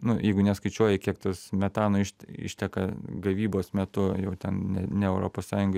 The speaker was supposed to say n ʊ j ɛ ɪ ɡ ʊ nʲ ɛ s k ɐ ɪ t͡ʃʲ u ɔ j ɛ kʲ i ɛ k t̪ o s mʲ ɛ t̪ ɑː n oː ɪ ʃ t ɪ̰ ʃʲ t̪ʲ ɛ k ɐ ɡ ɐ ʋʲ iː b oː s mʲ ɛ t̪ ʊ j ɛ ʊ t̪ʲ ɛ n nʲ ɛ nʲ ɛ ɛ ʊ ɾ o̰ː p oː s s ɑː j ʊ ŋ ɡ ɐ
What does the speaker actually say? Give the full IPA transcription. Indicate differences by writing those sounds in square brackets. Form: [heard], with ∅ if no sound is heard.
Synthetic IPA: n ʊ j ɛ ɪ ɡ ʊ nʲ ɛ s k ɐ ɪ t͡ʃʲ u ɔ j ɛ kʲ i ɛ k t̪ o s mʲ ɛ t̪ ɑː n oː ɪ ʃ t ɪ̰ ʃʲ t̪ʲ ɛ k ɐ ɡ ɐ ʋʲ iː b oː s mʲ ɛ t̪ ʊ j ɛ ʊ t̪ʲ ɛ n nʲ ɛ nʲ ɛ ɛ ʊ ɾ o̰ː p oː s s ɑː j ʊ ŋ ɡ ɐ